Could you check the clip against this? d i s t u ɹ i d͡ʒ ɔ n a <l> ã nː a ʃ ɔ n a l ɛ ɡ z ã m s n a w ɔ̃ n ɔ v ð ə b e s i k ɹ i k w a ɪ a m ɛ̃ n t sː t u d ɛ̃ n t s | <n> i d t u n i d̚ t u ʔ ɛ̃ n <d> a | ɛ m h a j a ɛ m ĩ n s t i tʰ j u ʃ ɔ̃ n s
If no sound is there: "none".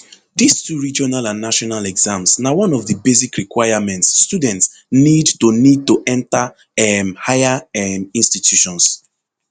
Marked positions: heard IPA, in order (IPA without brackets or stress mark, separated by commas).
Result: l, n, t